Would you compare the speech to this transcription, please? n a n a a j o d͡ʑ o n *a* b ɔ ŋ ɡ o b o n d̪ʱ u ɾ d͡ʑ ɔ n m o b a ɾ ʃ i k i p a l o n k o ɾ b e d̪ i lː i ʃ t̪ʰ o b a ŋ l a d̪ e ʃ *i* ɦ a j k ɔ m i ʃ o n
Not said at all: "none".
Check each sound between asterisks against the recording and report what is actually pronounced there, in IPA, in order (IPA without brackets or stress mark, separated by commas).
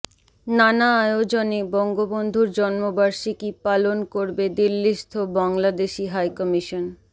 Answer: e, i